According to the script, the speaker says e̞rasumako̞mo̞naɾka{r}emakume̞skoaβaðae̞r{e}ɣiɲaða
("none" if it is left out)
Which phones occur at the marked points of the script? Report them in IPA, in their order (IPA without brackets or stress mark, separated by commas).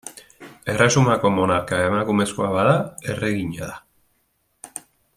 none, e